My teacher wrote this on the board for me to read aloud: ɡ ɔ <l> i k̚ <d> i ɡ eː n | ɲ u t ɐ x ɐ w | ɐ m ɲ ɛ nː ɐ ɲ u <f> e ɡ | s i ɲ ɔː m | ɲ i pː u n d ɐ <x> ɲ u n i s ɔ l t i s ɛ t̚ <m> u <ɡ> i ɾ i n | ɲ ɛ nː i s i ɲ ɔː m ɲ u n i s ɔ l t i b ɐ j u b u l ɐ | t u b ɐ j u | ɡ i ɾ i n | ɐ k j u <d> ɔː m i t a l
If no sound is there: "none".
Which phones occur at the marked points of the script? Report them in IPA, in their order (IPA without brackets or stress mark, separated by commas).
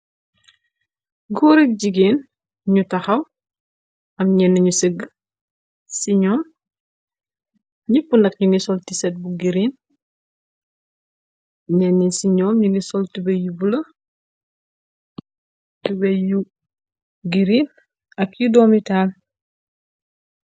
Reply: ɾ, ɟ, s, k, b, ɡ, d